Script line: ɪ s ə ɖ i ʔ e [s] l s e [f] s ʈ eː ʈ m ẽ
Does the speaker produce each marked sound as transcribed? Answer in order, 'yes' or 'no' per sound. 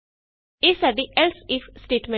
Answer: no, yes

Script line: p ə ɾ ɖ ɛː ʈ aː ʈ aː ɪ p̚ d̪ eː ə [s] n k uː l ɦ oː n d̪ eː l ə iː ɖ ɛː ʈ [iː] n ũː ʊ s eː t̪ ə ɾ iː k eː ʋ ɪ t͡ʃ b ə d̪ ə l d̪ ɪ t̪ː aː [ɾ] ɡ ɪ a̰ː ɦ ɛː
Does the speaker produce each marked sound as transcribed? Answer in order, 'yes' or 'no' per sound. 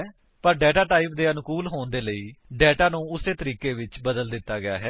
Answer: no, no, no

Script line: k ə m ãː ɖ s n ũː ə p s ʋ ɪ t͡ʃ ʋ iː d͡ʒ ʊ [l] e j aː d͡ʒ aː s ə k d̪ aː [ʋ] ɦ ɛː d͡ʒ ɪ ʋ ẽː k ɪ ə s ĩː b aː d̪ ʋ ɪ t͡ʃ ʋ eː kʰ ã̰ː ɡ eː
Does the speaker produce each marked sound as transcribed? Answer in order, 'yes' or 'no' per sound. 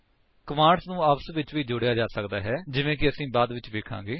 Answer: no, no

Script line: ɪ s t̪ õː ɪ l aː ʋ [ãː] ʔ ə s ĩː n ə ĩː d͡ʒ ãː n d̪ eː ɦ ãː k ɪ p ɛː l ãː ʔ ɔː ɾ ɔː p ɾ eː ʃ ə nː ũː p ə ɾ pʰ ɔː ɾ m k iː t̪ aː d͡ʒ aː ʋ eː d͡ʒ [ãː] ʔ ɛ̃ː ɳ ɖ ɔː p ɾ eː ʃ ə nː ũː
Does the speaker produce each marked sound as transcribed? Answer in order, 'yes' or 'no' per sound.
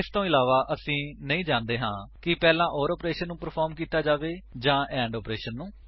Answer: no, yes

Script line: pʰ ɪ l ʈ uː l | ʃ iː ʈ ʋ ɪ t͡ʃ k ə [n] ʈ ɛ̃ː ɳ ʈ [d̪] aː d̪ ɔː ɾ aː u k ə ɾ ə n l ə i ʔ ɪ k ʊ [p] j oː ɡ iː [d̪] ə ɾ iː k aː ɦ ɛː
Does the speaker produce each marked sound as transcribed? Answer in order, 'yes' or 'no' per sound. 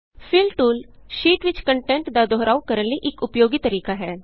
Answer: no, yes, yes, no

